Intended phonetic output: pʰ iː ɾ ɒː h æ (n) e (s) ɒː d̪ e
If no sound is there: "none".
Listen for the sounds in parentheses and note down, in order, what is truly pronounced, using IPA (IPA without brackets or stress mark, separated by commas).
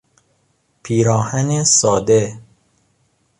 n, s